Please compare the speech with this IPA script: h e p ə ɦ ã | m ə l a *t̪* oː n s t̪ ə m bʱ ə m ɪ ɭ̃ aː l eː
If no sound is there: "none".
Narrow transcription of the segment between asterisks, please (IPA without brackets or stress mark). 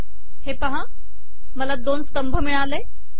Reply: d̪